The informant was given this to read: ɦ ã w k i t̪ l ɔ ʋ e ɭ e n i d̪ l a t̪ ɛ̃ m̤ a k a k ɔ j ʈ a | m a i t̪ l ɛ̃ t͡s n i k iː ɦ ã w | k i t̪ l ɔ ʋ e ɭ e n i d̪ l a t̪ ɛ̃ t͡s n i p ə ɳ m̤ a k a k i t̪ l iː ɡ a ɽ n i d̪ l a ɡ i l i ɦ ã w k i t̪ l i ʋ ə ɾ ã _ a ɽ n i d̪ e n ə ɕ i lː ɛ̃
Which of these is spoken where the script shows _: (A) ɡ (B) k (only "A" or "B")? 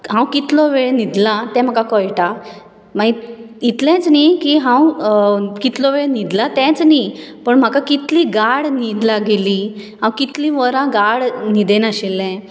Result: A